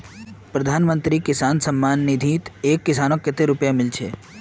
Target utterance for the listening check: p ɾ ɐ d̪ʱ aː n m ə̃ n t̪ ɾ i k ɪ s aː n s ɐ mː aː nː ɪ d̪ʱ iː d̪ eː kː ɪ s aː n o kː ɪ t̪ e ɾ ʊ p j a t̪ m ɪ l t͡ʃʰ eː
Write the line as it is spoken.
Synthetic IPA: p ɾ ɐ d̪ʱ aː n m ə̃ n t̪ ɾ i k ɪ s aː n s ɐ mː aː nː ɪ d̪ʱ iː t̪ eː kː ɪ s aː n o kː ɪ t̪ e ɾ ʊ p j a m ɪ l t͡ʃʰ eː